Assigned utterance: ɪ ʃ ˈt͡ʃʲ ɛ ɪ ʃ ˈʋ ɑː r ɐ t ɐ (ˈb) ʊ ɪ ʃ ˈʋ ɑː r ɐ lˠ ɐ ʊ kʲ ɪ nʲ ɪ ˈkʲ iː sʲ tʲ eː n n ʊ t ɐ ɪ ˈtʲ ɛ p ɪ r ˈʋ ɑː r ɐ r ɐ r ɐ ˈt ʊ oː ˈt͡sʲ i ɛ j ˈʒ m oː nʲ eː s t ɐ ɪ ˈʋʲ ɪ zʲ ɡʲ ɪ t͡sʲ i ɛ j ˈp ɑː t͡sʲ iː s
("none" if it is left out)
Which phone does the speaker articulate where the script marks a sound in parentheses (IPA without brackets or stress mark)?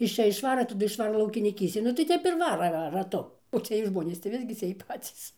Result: d